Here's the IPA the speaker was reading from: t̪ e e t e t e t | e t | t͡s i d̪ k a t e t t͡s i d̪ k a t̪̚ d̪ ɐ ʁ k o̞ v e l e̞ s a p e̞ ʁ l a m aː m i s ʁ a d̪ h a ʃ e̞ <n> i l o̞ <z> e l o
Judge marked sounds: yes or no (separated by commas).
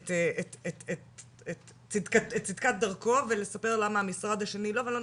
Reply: yes, no